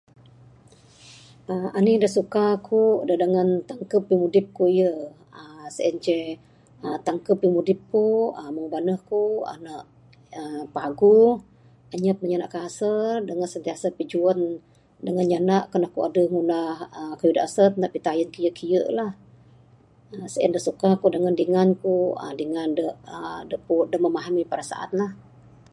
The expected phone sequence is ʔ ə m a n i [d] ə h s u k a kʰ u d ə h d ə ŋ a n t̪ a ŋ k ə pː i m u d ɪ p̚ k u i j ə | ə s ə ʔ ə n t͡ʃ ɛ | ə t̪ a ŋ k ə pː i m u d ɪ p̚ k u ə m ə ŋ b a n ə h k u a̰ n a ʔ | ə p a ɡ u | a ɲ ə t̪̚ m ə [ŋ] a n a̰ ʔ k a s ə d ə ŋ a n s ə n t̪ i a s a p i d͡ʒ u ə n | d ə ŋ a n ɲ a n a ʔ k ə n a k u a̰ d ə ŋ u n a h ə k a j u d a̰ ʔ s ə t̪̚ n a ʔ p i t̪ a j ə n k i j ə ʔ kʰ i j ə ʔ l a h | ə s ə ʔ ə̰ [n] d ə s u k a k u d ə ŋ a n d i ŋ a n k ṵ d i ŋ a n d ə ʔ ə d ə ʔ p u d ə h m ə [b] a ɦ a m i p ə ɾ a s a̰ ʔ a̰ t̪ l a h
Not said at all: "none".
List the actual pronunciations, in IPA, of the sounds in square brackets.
d, ɲ, n, m

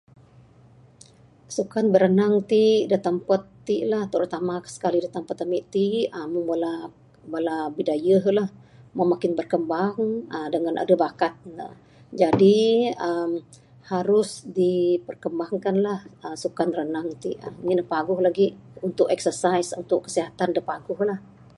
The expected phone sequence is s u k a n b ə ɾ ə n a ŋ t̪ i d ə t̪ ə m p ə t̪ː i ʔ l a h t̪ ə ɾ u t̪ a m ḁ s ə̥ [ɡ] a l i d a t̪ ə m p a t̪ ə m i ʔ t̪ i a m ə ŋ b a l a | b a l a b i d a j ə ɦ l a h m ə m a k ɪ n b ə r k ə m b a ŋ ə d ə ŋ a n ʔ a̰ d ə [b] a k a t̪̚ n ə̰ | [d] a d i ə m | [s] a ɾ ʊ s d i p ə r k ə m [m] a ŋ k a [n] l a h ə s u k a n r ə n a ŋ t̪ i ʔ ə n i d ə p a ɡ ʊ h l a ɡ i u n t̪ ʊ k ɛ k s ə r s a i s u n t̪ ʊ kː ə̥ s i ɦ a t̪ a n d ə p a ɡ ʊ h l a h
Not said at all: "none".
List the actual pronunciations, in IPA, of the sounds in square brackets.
k, b, d͡ʒ, h, b, n

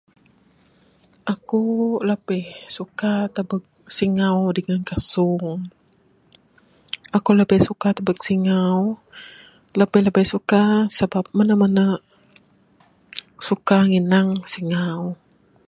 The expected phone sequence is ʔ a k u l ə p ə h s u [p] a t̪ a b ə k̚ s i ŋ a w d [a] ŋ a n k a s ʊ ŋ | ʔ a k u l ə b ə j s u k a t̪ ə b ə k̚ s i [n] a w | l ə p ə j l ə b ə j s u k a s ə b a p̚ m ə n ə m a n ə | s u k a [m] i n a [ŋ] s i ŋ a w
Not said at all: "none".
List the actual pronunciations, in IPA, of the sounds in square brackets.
k, ə, ŋ, ŋ, ŋ

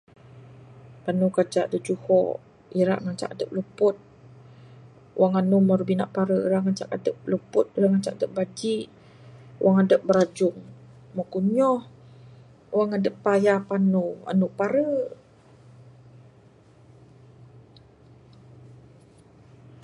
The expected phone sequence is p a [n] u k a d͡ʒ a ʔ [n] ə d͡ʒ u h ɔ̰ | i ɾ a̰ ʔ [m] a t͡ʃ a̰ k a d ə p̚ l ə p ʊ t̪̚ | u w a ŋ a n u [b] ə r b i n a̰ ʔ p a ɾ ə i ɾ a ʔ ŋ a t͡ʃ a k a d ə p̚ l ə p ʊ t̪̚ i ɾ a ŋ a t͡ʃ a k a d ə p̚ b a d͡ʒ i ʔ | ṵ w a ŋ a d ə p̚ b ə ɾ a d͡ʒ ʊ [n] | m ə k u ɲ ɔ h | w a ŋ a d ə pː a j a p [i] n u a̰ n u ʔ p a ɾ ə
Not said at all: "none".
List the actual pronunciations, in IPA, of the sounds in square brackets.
n, d, ŋ, m, ŋ, a

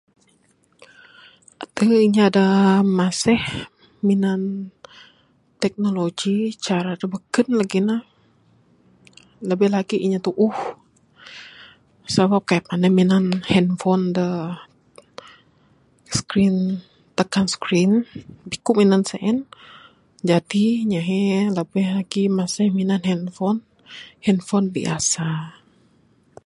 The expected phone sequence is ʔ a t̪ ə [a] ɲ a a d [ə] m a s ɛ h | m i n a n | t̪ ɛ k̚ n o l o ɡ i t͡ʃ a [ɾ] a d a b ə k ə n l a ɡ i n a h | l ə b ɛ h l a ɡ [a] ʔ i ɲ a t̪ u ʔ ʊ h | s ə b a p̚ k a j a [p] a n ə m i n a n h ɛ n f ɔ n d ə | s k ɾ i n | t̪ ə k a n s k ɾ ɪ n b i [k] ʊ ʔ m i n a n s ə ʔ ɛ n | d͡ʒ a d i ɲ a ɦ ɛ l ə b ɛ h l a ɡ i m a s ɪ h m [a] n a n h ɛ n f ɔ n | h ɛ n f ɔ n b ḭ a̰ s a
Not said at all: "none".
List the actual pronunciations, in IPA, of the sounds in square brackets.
i, a, ɾ, i, p, k, i

